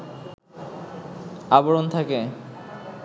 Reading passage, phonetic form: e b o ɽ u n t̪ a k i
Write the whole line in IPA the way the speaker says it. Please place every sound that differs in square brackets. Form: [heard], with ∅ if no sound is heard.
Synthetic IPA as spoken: [a] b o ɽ [o] n [t̪ʰ] a k [e]